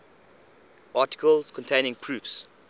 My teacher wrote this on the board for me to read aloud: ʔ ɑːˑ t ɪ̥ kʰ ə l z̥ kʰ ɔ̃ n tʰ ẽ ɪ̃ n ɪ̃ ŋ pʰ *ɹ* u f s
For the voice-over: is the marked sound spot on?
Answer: yes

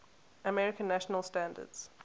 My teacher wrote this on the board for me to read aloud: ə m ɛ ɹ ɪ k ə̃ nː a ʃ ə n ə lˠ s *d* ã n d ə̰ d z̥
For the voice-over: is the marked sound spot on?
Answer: no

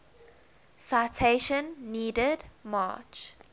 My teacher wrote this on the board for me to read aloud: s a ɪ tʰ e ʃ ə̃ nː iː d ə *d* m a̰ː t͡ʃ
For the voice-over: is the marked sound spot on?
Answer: yes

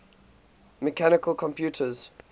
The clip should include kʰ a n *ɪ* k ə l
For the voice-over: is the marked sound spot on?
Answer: yes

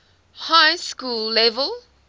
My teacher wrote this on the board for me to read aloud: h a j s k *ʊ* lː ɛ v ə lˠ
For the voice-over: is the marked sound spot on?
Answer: no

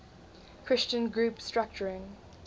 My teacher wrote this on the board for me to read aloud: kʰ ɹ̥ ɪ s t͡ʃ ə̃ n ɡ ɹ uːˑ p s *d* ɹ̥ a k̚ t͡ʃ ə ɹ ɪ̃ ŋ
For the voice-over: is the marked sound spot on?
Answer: no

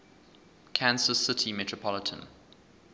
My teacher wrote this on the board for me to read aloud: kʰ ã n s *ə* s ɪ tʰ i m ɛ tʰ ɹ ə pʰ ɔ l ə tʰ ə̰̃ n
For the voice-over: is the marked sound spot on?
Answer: yes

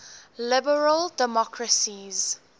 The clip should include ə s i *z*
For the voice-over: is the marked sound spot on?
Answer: yes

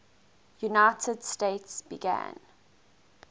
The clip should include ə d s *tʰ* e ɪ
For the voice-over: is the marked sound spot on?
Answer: no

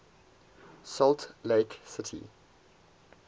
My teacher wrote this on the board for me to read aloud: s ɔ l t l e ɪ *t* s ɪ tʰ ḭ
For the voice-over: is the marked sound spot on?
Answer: no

